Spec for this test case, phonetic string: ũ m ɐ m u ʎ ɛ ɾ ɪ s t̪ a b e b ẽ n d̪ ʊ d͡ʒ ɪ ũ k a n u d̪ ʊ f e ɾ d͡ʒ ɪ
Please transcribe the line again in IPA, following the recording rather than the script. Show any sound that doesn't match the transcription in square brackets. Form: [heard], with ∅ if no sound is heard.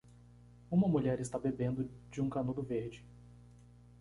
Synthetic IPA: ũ m ɐ m u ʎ ɛ ɾ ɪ s t̪ a b e b ẽ n d̪ ʊ d͡ʒ ɪ ũ k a n u d̪ ʊ [v] e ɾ d͡ʒ ɪ